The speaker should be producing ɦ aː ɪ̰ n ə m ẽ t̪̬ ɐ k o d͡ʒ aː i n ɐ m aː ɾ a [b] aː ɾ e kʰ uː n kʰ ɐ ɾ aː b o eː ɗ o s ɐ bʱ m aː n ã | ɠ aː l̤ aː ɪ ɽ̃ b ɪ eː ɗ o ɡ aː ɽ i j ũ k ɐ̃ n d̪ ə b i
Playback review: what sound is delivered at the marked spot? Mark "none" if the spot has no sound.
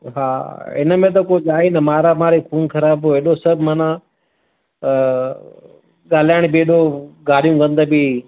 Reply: m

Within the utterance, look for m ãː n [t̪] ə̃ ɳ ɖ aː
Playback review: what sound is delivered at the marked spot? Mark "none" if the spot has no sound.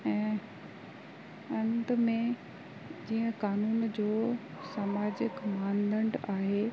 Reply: d̪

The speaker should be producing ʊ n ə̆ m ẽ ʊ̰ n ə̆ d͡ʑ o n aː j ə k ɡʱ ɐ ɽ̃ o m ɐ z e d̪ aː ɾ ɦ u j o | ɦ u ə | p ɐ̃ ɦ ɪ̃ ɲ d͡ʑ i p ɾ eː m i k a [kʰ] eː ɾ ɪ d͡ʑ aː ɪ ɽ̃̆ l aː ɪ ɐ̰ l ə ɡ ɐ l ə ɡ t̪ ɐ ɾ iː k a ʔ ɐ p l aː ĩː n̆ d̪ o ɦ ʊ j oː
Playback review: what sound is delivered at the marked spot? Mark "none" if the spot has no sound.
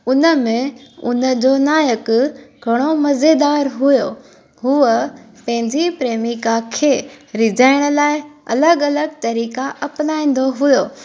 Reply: kʰ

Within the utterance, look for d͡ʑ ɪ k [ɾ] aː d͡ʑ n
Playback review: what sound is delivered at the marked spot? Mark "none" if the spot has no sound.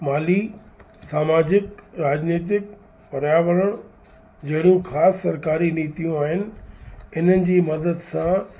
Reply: ɾ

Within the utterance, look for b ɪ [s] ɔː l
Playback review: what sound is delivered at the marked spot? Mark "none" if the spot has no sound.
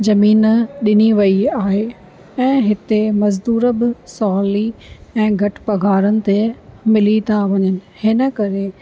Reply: s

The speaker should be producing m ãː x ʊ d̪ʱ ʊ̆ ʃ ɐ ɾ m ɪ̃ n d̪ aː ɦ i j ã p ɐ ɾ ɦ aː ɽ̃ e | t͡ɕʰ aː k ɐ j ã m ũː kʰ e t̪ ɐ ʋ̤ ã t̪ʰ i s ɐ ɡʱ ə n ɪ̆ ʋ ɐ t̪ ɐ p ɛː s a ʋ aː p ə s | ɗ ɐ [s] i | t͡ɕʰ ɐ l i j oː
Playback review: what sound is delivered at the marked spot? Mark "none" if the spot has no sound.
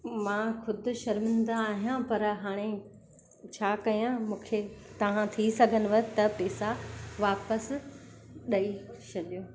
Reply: none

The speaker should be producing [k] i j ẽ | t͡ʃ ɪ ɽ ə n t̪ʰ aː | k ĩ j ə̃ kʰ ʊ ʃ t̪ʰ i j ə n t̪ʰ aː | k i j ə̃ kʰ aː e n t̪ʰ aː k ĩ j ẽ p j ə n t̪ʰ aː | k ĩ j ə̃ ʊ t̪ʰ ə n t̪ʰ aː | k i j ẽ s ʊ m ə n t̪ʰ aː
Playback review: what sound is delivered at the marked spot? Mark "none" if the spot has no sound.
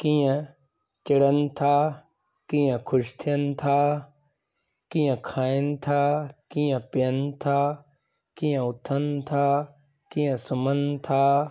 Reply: k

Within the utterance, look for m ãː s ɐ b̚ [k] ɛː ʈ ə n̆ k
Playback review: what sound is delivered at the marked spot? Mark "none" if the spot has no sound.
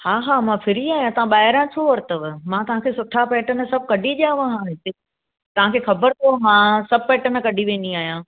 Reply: p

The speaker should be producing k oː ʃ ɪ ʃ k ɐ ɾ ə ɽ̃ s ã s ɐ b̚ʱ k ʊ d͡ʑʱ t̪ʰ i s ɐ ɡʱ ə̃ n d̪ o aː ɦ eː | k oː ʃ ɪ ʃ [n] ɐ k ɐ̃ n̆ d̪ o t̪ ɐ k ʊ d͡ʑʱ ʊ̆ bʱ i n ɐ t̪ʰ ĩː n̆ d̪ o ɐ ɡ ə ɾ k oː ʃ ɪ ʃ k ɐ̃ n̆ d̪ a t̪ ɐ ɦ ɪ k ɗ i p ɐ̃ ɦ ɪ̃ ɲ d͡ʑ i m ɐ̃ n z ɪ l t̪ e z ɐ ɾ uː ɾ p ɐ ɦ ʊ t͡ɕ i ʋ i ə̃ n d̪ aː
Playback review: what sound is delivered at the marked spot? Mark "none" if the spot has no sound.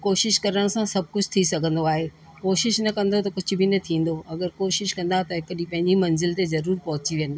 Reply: n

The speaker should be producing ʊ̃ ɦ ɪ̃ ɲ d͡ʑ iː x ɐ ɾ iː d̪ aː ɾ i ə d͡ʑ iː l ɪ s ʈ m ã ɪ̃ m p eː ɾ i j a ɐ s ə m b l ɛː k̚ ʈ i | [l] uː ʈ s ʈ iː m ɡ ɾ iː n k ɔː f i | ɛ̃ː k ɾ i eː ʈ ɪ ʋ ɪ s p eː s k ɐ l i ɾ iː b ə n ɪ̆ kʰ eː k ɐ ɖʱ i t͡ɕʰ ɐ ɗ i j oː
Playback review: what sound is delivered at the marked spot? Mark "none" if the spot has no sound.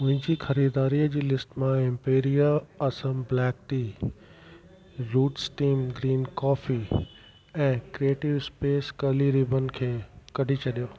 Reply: ɾ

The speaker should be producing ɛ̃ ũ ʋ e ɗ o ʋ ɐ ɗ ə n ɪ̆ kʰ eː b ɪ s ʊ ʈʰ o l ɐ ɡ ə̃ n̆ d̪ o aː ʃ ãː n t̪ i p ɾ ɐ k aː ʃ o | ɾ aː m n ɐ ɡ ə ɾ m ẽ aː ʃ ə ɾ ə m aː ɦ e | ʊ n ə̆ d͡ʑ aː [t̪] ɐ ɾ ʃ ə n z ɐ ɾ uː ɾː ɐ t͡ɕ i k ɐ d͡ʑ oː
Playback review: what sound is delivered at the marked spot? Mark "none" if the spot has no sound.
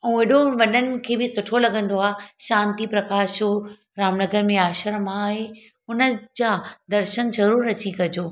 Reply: d̪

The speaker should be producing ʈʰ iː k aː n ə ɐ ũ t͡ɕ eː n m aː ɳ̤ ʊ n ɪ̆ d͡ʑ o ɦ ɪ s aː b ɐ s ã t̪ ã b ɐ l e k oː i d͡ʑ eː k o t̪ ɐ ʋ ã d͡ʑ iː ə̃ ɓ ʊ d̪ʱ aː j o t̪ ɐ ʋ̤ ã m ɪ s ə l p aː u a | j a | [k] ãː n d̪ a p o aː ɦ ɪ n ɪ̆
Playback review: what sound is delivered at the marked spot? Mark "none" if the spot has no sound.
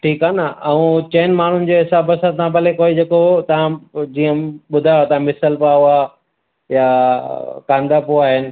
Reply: k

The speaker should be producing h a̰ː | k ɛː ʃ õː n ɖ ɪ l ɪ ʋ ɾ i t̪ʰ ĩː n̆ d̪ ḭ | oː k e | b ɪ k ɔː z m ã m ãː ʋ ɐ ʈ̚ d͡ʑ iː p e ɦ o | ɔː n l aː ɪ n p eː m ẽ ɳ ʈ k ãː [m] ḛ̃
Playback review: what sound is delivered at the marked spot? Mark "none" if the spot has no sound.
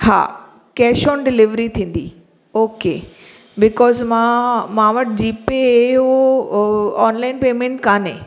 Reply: n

